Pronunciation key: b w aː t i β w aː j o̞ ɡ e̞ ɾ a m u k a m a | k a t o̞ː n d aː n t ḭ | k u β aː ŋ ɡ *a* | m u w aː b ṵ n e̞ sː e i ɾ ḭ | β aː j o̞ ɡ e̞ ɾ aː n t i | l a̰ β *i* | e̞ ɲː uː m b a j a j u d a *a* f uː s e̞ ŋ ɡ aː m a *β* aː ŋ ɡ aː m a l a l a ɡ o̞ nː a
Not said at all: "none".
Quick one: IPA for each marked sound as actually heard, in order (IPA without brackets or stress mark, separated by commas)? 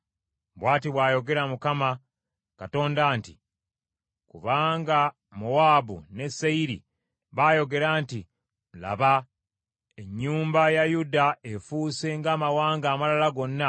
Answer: a, a, e, w